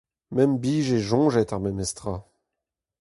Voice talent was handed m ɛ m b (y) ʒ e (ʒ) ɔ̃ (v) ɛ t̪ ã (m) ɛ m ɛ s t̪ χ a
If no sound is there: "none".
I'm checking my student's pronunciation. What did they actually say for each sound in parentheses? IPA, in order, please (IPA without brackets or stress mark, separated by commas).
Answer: i, ʒ, ʒ, m